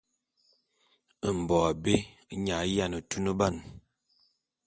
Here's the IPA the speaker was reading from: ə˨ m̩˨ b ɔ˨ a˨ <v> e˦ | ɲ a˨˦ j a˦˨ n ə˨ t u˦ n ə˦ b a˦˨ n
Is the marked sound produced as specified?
no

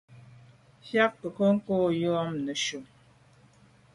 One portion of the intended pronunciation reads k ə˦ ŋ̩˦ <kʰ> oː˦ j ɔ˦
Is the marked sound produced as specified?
no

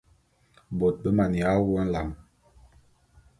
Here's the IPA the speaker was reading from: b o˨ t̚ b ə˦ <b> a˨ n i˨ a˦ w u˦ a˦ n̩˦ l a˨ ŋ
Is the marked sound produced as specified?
no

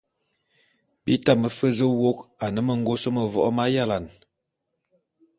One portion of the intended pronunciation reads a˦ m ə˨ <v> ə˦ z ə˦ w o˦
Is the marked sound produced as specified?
no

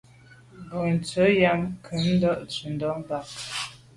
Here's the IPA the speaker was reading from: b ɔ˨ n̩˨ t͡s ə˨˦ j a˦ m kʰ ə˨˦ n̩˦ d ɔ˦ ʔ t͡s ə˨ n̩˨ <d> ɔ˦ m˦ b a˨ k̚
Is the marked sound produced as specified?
yes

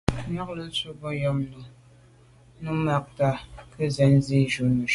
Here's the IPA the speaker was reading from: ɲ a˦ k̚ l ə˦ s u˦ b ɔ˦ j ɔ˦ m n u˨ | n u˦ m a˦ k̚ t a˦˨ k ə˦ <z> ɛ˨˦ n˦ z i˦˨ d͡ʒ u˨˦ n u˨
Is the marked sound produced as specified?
yes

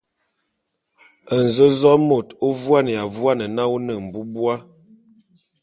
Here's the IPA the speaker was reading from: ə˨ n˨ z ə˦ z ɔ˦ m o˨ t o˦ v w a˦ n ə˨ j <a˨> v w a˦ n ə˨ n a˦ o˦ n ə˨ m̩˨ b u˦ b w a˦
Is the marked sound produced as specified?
yes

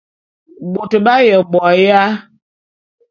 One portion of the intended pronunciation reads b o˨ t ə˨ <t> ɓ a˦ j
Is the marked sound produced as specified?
no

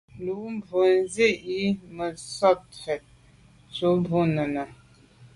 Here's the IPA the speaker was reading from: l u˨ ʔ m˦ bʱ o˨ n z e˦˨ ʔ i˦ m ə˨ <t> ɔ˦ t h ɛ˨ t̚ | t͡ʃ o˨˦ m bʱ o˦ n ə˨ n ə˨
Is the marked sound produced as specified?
no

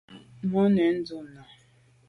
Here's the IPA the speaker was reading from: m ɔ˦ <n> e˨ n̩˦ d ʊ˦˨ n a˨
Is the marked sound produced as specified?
yes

